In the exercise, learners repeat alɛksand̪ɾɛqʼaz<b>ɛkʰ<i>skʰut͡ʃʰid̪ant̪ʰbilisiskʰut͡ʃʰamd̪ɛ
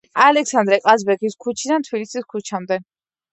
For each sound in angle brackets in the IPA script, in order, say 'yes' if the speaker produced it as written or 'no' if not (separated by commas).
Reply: yes, yes